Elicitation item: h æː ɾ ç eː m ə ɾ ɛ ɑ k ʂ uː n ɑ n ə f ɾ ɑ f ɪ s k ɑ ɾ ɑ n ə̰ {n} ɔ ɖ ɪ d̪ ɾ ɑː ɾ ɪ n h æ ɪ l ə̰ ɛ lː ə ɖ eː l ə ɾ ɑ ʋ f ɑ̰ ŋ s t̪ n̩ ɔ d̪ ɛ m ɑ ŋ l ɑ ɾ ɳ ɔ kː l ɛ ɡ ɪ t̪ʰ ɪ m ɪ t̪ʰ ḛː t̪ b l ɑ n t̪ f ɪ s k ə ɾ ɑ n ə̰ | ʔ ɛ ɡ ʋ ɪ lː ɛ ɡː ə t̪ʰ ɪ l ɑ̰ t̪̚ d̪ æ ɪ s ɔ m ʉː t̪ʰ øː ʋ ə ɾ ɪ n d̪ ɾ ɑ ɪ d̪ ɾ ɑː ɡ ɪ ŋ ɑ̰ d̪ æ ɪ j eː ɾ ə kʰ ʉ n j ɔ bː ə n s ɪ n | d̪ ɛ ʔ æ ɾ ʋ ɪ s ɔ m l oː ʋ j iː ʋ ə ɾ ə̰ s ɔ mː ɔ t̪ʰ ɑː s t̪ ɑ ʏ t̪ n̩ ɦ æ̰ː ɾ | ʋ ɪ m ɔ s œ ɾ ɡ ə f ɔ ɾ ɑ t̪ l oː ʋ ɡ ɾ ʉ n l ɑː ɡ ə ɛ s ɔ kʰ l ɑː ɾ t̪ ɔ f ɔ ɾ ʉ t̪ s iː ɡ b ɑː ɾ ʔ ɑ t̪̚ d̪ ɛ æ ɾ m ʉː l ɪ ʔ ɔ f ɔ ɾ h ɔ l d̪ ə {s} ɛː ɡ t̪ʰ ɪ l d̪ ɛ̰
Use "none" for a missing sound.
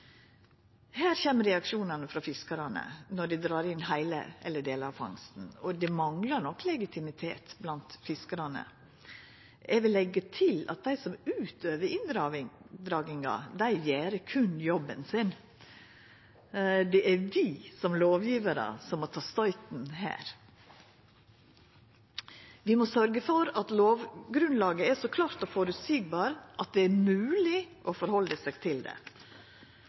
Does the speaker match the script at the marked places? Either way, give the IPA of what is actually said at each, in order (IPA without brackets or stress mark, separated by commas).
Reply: n, s